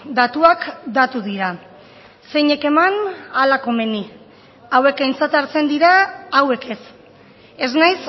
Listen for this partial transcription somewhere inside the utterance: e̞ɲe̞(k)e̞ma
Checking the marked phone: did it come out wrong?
no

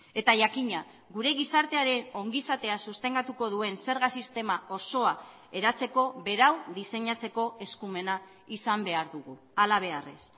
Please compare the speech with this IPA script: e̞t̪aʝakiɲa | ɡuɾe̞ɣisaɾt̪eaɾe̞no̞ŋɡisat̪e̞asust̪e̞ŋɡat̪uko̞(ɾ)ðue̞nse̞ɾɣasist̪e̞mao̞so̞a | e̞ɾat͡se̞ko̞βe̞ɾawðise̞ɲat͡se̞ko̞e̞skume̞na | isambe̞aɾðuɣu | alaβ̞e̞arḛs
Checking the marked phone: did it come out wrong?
yes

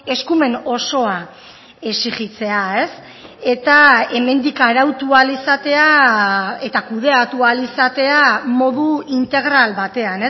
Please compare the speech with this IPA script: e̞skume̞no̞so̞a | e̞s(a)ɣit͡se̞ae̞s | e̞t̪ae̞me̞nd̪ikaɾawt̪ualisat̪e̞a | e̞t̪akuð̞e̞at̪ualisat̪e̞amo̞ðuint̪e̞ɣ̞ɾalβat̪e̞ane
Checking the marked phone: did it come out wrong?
yes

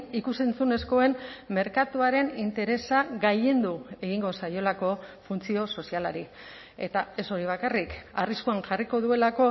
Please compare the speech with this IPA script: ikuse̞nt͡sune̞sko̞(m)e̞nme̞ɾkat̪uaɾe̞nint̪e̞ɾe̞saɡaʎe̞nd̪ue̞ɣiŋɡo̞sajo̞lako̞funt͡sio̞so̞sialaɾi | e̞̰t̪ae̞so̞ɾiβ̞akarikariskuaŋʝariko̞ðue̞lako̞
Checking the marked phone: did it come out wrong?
yes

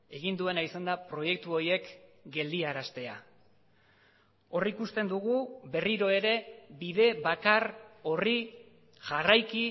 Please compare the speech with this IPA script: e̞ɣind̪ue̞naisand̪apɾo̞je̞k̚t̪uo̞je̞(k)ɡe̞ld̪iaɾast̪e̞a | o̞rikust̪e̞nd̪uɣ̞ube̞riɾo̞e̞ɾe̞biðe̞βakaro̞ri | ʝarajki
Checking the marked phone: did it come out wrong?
no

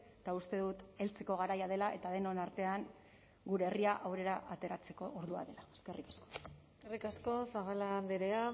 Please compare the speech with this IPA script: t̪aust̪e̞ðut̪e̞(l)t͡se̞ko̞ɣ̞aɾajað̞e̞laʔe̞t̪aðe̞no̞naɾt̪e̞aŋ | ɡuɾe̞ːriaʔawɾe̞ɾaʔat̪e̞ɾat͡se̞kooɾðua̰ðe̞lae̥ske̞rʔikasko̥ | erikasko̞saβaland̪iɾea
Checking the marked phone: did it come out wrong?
no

